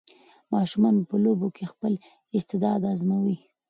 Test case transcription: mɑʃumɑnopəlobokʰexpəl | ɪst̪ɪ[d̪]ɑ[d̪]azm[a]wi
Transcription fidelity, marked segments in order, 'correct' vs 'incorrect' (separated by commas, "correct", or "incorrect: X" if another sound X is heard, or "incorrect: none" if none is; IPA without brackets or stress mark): correct, correct, correct